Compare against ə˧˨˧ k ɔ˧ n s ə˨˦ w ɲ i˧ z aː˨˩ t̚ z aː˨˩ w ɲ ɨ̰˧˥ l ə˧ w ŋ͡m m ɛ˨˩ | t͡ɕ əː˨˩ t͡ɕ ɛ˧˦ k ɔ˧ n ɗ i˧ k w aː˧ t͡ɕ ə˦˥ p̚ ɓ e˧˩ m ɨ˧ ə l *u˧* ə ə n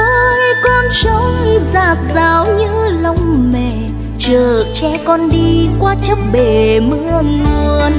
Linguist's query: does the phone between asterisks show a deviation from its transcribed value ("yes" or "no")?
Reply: no